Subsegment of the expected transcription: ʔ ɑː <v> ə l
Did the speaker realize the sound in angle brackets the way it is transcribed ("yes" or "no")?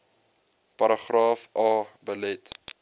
no